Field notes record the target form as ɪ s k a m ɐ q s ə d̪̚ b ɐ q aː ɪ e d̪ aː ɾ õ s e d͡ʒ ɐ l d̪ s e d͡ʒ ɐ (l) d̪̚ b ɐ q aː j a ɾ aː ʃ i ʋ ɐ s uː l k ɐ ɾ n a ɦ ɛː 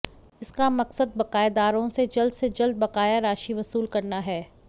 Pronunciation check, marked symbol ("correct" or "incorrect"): correct